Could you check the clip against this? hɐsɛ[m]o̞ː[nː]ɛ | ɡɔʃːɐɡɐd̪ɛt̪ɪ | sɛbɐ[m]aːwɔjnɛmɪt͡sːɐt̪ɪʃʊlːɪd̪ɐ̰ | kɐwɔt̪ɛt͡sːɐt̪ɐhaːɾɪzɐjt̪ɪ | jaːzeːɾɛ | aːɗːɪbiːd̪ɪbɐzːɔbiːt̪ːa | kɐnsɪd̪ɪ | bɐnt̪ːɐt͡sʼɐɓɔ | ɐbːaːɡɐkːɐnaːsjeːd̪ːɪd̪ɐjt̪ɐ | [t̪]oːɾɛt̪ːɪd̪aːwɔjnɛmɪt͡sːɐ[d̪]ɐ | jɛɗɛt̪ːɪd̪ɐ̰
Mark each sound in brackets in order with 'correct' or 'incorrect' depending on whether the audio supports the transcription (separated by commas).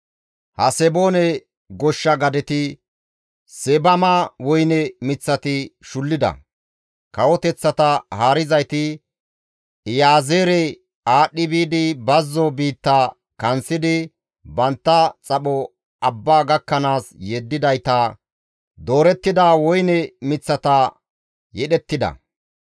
incorrect, incorrect, correct, incorrect, incorrect